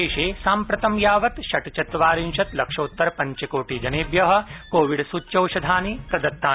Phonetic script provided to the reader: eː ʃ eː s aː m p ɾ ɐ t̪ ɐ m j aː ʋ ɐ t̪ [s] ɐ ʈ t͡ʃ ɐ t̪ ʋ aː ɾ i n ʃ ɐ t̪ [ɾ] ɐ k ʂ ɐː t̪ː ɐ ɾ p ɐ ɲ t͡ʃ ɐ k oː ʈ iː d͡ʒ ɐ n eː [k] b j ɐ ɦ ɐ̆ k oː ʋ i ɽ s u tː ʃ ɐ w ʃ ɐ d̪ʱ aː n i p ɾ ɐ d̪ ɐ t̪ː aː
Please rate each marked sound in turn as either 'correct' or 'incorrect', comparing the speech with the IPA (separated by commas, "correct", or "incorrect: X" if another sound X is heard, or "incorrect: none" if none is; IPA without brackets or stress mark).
incorrect: ʃ, incorrect: l, incorrect: none